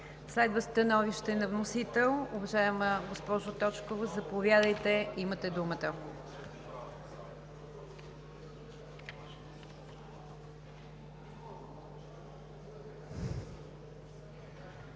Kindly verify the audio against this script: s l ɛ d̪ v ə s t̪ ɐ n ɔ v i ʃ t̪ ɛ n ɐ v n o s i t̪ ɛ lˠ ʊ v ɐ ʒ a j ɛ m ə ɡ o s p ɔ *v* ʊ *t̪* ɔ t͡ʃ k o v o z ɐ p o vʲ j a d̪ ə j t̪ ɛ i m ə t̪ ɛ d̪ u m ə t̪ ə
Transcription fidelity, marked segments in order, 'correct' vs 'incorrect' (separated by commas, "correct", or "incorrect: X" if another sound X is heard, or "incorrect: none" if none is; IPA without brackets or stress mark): incorrect: ʒ, correct